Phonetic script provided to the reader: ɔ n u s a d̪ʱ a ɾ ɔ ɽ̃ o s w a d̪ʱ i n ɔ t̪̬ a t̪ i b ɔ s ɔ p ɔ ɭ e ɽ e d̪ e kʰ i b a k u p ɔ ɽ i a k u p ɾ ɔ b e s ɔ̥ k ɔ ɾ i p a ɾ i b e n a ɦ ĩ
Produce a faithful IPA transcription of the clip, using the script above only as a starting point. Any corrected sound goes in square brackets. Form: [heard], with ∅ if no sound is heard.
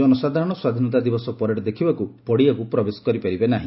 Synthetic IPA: ɔ n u s a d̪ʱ a ɾ ɔ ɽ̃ [ɔ] s w a d̪ʱ i n ɔ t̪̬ a [d̪] i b ɔ s ɔ p ɔ [ɾ] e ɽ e d̪ e kʰ i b a k u p ɔ ɽ i a k u p ɾ ɔ b e s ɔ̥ k ɔ ɾ i p a ɾ i b e n a ɦ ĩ

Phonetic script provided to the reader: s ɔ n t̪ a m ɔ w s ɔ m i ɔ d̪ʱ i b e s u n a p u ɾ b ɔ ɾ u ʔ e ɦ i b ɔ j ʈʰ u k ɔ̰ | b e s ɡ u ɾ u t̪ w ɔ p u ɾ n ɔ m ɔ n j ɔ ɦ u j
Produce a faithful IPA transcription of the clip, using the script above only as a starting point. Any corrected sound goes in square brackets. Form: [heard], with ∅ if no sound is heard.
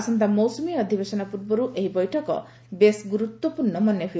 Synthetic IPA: s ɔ n t̪ a m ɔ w s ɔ m i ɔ d̪ʱ i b e s [ɔ] n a p u ɾ b ɔ ɾ u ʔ e ɦ i b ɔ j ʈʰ [ɔ] k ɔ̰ | b e s ɡ u ɾ u t̪ w ɔ p u ɾ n ɔ m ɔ n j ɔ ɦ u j

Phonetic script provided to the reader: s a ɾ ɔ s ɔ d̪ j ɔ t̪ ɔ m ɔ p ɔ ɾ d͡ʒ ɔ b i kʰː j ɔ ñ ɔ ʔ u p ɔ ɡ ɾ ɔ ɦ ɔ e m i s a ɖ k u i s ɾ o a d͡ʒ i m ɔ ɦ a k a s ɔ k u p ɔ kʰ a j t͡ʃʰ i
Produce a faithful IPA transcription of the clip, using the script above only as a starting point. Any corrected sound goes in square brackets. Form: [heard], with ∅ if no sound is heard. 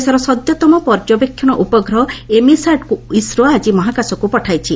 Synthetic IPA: s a ɾ ɔ s ɔ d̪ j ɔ t̪ ɔ m ɔ p ɔ ɾ d͡ʒ ɔ b [e] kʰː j ɔ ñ ɔ ʔ u p ɔ ɡ ɾ ɔ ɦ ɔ e m i s a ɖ k u i s ɾ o a d͡ʒ i m ɔ ɦ a k a s ɔ k u p ɔ [ʈʰ] a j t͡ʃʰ i

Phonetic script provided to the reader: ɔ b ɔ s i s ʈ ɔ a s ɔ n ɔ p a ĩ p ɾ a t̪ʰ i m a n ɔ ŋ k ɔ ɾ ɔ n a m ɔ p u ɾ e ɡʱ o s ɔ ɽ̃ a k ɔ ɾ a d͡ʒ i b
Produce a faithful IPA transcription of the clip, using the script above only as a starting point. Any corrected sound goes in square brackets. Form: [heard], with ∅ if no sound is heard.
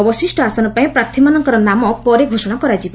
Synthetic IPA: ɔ b ɔ s i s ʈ ɔ a s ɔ n ɔ p a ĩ p ɾ a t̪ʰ i m a n ɔ ŋ k ɔ ɾ ɔ n a m ɔ p [ɔ] ɾ e ɡʱ o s ɔ ɽ̃ a k ɔ ɾ a d͡ʒ i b

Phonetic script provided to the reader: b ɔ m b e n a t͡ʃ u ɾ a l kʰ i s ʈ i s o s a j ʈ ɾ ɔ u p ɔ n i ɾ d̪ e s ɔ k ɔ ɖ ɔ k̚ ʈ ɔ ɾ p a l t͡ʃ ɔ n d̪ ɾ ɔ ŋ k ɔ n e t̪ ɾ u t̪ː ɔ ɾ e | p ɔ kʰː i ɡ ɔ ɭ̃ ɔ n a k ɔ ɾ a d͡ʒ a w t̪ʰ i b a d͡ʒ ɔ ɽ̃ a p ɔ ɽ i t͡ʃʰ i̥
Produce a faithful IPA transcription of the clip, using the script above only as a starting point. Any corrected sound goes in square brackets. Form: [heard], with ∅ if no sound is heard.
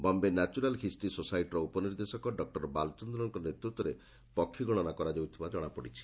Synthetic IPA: b ɔ m b e n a t͡ʃ u ɾ a l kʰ i s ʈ i s o s a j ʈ ɾ ɔ u p ɔ n i ɾ d̪ e s ɔ k ɔ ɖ ɔ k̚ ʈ ɔ ɾ [b] a l t͡ʃ ɔ n d̪ ɾ ɔ ŋ k ɔ n e t̪ ɾ u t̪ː ɔ ɾ e | p ɔ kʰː i ɡ ɔ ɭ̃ ɔ n a k ɔ ɾ a d͡ʒ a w t̪ʰ i b a d͡ʒ ɔ ɽ̃ a p ɔ ɽ i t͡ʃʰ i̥

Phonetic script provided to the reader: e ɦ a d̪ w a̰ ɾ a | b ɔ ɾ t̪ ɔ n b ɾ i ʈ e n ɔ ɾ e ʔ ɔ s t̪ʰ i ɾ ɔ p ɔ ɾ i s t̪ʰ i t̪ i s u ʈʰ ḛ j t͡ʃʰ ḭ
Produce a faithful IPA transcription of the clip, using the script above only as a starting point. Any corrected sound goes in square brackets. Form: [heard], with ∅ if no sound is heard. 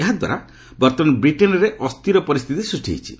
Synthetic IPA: e ɦ a d̪ w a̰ ɾ a | b ɔ ɾ t̪ ɔ n b ɾ i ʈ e n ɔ ɾ e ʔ ɔ s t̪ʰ i ɾ ɔ p ɔ ɾ i s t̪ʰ i t̪ i s u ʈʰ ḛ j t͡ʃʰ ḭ

